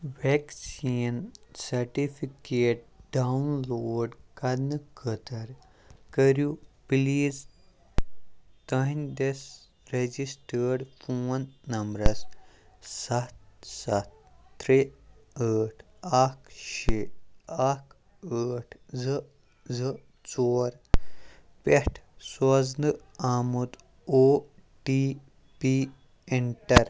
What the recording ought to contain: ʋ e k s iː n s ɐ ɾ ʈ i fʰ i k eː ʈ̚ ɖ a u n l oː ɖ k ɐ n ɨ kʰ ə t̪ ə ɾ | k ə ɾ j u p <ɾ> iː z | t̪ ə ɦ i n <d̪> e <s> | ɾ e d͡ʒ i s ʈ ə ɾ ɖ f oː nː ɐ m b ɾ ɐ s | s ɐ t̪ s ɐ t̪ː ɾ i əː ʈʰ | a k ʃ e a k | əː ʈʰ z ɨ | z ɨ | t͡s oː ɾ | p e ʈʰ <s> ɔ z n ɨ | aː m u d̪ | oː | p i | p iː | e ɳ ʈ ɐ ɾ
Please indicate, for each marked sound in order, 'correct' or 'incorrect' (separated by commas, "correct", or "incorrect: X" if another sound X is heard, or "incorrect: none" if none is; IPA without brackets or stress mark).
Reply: incorrect: l, correct, correct, correct